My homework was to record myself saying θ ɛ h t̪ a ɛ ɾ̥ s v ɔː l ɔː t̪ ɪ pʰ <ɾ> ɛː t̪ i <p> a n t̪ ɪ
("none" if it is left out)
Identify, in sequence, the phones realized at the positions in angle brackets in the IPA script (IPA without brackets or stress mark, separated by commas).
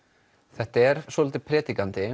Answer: ɾ, k